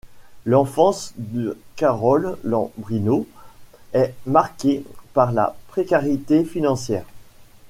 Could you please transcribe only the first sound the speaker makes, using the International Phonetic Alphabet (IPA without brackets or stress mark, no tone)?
l